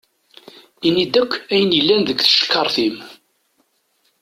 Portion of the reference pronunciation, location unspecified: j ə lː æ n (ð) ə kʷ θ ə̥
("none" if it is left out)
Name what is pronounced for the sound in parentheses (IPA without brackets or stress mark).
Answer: ð